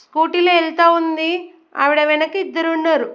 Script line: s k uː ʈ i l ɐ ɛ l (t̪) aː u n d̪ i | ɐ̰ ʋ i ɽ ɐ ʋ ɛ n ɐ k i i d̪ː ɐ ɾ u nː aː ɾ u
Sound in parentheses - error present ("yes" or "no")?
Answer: no